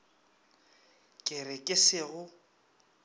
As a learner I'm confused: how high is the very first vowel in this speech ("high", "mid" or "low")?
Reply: high